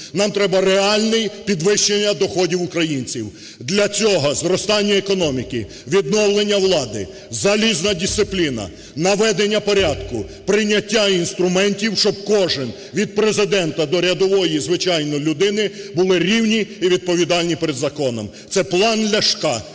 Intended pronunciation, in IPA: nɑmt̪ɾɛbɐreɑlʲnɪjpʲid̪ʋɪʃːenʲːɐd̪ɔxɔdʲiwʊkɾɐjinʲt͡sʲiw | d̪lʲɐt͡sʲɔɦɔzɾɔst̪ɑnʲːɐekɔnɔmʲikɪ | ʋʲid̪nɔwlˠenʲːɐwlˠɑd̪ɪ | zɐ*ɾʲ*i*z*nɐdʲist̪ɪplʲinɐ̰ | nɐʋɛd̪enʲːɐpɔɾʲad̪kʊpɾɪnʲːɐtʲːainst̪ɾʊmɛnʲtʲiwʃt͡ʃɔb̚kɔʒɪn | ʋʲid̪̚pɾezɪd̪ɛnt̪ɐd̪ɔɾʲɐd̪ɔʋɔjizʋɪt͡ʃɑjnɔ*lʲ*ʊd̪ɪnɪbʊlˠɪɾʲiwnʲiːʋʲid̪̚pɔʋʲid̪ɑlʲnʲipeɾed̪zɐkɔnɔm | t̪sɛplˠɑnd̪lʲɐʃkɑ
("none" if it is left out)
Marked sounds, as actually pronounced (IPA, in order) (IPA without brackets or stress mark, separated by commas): lʲ, z, lʲ